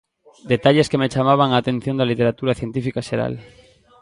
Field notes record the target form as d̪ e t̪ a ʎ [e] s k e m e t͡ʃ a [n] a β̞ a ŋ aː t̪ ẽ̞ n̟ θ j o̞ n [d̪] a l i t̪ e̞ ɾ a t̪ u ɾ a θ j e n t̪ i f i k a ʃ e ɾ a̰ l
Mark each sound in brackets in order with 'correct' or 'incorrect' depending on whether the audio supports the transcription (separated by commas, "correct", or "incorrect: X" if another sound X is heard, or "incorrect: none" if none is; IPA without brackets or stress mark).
correct, incorrect: m, correct